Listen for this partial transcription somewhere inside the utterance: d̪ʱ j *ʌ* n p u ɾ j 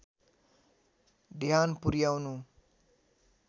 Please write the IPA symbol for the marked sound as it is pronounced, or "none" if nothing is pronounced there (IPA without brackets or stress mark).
a